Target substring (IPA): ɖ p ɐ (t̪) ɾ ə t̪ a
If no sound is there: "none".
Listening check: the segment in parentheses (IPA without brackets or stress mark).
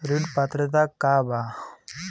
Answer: t̪